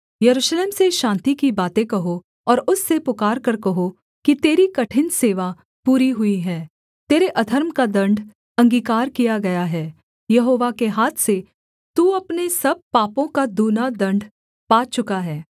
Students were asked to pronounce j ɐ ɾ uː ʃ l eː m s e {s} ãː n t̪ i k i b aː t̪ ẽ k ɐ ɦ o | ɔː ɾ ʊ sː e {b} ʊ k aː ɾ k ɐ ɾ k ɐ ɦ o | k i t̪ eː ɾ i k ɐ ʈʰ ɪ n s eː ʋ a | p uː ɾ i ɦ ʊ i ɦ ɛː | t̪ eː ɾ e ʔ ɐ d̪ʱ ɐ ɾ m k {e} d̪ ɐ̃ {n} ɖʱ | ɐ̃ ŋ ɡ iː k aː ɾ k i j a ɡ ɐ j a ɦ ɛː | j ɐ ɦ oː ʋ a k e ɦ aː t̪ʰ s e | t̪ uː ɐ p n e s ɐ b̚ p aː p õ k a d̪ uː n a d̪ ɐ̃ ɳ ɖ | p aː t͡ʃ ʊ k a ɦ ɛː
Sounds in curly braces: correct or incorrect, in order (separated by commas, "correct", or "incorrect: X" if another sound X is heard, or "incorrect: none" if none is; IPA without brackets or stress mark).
incorrect: ʃ, incorrect: p, incorrect: a, incorrect: ɳ